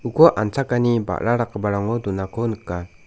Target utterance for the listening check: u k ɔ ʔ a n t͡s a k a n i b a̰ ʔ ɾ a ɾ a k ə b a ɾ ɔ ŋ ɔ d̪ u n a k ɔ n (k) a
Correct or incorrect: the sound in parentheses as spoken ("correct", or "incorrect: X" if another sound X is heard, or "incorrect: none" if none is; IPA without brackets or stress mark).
correct